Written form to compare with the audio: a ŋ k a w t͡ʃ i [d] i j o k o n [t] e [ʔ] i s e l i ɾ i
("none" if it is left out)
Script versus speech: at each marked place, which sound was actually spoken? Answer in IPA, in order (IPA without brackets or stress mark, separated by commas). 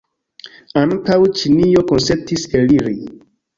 n, s, t